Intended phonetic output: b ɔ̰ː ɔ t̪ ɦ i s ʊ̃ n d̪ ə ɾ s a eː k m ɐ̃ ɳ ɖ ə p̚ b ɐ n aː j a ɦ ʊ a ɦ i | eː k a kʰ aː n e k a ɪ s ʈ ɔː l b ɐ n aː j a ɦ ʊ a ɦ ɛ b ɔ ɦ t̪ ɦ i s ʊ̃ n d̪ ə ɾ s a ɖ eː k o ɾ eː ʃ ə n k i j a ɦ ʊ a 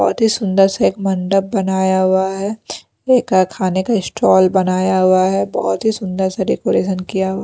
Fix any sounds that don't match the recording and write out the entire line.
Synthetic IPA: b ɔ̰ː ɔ t̪ ɦ i s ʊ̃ n d̪ ə ɾ s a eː k m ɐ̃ ɳ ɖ ə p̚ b ɐ n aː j a ɦ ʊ a ɦ ɛ | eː k a kʰ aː n e k a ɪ s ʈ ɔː l b ɐ n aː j a ɦ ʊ a ɦ ɛ b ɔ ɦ t̪ ɦ i s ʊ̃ n d̪ ə ɾ s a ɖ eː k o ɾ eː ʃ ə n k i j a ɦ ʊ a